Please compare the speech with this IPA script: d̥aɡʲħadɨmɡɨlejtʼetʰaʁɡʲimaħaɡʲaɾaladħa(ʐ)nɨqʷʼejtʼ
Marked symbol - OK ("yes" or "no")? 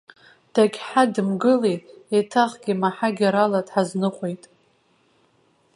no